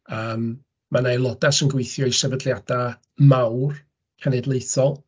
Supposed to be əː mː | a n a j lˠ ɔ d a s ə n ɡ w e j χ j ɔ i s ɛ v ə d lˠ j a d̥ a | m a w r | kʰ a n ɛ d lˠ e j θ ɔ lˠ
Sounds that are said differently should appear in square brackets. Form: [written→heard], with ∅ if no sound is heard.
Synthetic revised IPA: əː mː | a n a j lˠ ɔ d a s ə n ɡ w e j [χ→θ] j ɔ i s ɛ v ə d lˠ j a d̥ a | m a w r | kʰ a n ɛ d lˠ e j θ ɔ lˠ